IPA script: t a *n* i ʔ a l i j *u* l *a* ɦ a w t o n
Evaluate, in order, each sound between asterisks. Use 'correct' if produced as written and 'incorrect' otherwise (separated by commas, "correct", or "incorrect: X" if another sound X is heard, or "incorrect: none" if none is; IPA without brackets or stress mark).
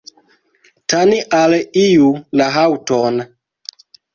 correct, correct, correct